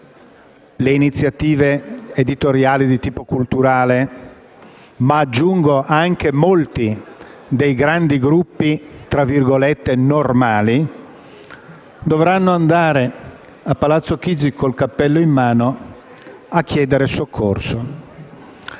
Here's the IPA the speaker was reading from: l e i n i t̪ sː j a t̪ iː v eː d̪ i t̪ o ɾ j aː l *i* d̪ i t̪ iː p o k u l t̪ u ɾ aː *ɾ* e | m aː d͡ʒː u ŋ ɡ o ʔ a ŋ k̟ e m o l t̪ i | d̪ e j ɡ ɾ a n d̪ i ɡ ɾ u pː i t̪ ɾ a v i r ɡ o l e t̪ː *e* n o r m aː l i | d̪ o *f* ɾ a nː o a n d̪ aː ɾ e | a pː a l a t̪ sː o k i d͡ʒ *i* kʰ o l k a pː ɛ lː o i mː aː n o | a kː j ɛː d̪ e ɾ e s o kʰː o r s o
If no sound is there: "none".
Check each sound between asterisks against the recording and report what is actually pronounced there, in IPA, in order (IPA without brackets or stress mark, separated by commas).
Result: i, l, e, v, i